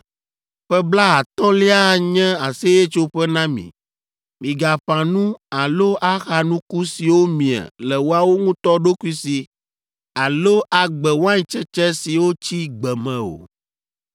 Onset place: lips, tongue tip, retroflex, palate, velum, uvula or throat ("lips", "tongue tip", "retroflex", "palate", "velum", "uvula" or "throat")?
lips